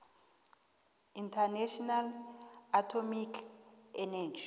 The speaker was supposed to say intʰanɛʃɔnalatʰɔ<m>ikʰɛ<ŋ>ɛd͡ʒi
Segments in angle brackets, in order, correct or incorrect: correct, incorrect

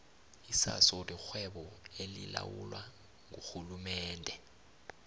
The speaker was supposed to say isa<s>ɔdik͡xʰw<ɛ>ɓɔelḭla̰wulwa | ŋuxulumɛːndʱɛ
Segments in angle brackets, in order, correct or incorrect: correct, correct

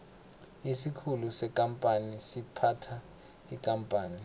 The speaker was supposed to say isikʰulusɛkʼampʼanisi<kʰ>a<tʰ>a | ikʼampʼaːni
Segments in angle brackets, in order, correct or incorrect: incorrect, correct

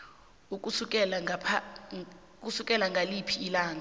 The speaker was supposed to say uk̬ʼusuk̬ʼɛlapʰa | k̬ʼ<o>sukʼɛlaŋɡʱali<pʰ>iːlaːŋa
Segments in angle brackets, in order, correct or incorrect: incorrect, correct

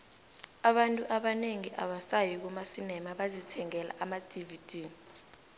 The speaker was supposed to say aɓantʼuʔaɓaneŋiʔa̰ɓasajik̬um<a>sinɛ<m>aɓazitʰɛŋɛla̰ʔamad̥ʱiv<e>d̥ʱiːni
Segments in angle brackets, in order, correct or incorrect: correct, correct, incorrect

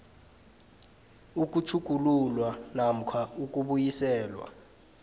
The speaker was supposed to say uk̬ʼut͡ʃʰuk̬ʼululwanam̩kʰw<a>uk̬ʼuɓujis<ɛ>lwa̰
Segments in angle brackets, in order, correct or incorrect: correct, incorrect

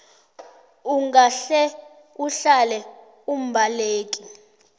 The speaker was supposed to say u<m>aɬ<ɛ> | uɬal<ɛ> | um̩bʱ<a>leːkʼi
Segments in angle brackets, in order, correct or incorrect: incorrect, correct, correct, correct

